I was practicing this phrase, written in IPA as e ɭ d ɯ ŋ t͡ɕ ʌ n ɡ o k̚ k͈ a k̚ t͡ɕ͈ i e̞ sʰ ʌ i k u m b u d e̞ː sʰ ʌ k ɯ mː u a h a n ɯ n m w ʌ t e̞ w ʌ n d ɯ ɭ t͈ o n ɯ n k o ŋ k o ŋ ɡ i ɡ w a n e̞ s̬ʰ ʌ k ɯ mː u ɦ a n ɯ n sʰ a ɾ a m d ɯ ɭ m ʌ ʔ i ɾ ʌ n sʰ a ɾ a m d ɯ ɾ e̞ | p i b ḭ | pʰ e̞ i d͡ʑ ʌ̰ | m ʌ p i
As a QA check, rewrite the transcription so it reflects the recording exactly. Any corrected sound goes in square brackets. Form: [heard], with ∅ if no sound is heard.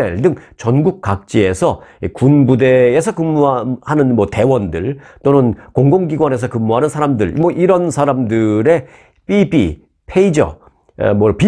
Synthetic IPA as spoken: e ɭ d ɯ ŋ t͡ɕ ʌ n ɡ [u] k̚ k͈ a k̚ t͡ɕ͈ i e̞ sʰ ʌ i k u [n] b u d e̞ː sʰ ʌ k ɯ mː u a h a n ɯ n m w ʌ t e̞ w ʌ n d ɯ ɭ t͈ o n ɯ n k o ŋ [ɡ] o ŋ ɡ i ɡ w a n e̞ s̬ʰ ʌ k ɯ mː u ɦ a n ɯ n sʰ a ɾ a m d ɯ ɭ m ʌ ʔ i ɾ ʌ n sʰ a ɾ a m d ɯ ɾ e̞ | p i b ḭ | pʰ e̞ i d͡ʑ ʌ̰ | m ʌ p i